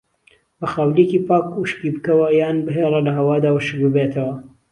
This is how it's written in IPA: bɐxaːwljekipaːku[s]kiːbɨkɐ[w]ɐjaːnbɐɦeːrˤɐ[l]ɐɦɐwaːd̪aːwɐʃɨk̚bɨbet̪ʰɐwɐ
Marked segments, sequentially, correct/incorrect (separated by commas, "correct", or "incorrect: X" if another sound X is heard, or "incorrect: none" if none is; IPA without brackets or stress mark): incorrect: ʃ, correct, correct